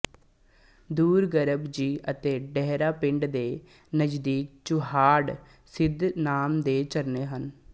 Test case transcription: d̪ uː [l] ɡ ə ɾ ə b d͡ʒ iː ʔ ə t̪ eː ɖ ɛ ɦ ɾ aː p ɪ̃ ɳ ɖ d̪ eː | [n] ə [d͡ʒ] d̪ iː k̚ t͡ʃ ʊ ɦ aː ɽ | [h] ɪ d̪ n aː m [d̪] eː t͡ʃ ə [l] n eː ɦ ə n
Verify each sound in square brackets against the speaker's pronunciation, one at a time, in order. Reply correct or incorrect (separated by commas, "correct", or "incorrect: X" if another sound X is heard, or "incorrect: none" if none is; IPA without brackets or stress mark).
incorrect: ɾ, correct, correct, incorrect: s, correct, incorrect: ɾ